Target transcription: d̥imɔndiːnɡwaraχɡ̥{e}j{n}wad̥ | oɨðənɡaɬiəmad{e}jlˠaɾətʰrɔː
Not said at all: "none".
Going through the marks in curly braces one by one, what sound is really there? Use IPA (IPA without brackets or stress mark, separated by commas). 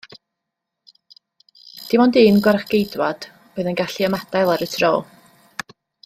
e, d, a